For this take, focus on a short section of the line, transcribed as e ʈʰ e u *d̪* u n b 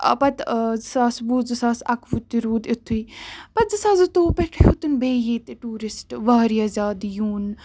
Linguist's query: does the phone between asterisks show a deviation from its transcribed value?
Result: yes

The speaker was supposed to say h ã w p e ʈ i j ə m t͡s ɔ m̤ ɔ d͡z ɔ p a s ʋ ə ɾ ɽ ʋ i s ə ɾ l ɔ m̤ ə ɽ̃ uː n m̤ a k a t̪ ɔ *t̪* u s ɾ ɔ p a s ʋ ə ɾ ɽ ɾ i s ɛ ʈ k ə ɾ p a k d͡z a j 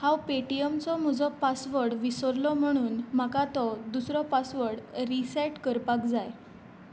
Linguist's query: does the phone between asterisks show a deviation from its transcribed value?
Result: yes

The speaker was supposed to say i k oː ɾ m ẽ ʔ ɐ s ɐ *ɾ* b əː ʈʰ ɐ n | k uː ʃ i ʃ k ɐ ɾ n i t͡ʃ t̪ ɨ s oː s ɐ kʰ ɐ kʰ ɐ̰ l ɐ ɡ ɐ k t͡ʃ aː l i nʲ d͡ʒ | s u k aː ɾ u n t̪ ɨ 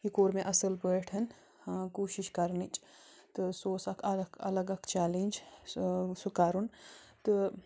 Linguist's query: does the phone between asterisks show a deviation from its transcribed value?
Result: yes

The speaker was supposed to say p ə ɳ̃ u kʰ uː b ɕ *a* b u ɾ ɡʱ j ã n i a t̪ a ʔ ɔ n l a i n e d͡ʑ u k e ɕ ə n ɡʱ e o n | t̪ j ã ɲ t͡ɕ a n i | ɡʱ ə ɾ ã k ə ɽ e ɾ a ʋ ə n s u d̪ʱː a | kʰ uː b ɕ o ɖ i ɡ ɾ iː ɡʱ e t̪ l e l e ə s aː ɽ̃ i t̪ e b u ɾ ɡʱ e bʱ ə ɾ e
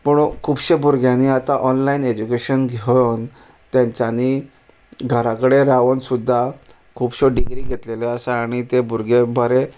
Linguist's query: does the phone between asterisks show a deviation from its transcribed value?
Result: yes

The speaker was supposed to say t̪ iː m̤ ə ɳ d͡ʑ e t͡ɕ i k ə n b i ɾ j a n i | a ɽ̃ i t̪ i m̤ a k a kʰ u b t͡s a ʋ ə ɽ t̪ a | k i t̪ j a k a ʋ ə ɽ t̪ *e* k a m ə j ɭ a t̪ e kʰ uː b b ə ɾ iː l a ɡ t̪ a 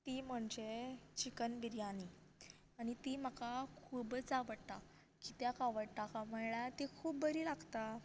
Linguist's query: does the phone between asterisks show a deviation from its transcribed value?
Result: yes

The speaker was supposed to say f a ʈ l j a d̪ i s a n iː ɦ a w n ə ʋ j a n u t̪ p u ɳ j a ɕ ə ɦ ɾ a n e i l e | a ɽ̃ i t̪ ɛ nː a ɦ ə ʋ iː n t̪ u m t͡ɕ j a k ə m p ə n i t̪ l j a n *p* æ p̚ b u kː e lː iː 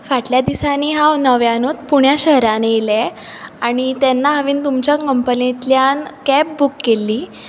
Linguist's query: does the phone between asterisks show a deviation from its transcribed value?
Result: yes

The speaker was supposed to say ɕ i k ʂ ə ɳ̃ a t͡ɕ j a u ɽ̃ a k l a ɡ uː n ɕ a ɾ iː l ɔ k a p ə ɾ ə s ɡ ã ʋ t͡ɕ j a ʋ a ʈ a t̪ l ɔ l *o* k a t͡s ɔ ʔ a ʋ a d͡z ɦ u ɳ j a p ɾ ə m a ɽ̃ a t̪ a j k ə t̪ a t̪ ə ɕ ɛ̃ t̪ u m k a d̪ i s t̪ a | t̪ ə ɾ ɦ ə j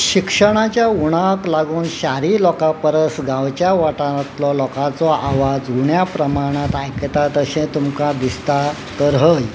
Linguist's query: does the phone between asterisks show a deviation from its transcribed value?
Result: yes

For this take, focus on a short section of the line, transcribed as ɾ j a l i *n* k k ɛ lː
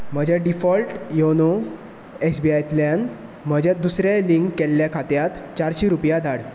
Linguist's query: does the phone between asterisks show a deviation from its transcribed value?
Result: yes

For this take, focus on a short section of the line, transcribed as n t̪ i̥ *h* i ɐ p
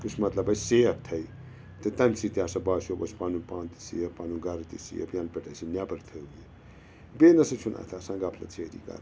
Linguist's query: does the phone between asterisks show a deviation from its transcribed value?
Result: yes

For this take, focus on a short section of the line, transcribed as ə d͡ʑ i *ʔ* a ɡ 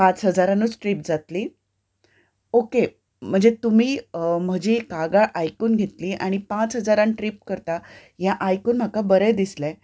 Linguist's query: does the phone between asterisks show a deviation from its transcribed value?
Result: yes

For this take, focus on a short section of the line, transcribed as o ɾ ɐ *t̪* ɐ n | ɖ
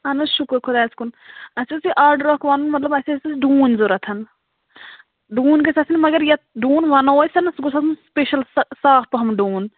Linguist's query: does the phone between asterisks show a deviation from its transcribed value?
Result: yes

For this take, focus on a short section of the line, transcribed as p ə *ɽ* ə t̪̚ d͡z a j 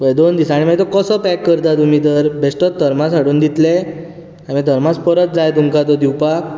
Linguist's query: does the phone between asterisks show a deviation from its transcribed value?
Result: yes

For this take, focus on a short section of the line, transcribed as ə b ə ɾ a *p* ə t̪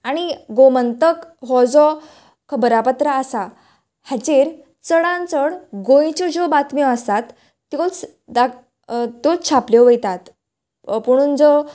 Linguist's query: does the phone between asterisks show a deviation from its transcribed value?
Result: no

